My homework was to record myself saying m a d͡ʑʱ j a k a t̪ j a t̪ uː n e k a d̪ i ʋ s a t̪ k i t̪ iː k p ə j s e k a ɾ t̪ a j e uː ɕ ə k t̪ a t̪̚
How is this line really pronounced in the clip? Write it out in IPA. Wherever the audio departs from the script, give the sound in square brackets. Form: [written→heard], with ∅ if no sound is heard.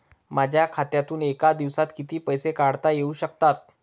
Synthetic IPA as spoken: m a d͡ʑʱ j a [k→kʰ] a t̪ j a t̪ uː n e k a d̪ i ʋ s a t̪ k i t̪ iː [k→∅] p ə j s e k a [ɾ→ɽ] t̪ a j e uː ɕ ə k t̪ a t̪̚